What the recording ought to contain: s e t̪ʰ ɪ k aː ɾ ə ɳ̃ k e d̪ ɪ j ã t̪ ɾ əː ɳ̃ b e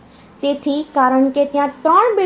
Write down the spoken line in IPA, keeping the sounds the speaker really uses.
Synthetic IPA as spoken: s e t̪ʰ i k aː ɾ ə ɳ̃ k e t̪ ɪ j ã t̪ ɾ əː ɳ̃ b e